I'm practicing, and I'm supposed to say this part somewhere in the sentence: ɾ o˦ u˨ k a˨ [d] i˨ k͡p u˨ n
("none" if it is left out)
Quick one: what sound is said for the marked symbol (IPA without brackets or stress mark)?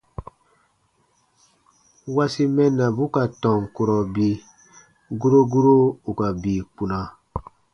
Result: b